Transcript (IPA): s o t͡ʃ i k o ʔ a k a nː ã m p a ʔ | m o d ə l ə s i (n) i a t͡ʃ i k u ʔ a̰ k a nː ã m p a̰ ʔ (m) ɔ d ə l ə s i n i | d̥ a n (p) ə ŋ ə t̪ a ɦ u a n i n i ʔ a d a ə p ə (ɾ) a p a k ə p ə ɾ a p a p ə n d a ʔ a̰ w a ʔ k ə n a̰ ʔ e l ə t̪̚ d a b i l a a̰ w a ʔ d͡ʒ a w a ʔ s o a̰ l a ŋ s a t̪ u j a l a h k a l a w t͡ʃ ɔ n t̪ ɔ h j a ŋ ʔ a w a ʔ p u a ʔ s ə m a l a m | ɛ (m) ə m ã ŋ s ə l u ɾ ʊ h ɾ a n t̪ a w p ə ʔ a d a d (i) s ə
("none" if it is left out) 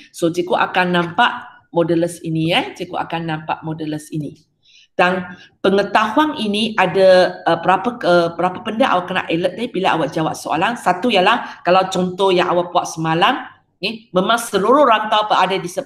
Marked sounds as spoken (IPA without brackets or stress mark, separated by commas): n, m, p, ɾ, m, i